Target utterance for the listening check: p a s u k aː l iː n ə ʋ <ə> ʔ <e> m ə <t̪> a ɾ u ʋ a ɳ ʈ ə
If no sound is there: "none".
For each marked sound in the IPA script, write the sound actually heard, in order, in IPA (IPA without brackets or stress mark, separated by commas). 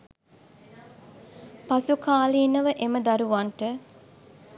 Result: ə, e, d̪